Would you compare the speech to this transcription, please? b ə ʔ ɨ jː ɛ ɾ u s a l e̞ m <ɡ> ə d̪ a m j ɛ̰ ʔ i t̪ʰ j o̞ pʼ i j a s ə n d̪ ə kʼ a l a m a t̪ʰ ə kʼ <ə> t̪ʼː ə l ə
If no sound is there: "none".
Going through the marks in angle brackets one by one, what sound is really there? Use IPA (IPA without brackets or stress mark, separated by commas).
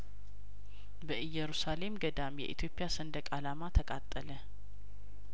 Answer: ɡ, a